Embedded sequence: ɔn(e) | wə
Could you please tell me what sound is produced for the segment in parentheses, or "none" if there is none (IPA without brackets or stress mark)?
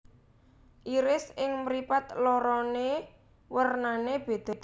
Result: e